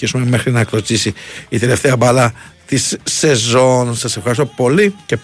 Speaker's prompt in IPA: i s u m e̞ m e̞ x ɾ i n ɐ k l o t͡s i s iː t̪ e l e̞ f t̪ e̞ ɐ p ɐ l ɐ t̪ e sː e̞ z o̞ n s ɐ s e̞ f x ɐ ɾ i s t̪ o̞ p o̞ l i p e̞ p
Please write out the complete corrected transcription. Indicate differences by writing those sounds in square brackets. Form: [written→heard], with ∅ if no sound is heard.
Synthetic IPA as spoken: i s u m e̞ m e̞ x ɾ i n ɐ k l o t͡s i s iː t̪ e l e̞ f t̪ e̞ ɐ [p→b] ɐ l ɐ t̪ [e→i] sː e̞ z o̞ n s ɐ s e̞ f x ɐ ɾ i s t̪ o̞ p o̞ l i [p→c] e̞ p